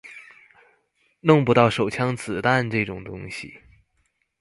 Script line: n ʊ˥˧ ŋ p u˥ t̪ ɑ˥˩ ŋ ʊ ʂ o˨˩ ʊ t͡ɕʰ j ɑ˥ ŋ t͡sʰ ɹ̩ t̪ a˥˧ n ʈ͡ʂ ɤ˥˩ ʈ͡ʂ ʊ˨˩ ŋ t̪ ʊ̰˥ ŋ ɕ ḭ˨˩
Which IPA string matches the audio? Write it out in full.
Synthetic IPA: n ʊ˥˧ ŋ p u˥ t̪ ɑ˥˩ ʊ ʂ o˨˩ ʊ t͡ɕʰ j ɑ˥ ŋ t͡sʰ ɹ̩ t̪ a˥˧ n ʈ͡ʂ ɤ˥˩ ʈ͡ʂ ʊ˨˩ ŋ t̪ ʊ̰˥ ŋ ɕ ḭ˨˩